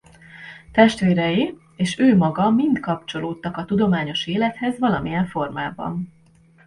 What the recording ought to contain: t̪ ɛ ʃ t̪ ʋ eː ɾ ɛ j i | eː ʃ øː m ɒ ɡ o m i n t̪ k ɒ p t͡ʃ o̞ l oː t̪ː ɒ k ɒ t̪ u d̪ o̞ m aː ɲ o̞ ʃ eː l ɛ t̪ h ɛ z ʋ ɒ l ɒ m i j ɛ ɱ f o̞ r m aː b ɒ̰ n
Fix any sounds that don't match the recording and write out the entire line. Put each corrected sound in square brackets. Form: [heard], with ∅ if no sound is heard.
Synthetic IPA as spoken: t̪ ɛ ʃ t̪ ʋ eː ɾ ɛ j i | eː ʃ øː m ɒ ɡ [ɒ] m i n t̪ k ɒ p t͡ʃ o̞ l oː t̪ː ɒ k ɒ t̪ u d̪ o̞ m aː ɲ o̞ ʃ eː l ɛ t̪ h ɛ z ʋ ɒ l ɒ m i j ɛ ɱ f o̞ r m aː b ɒ̰ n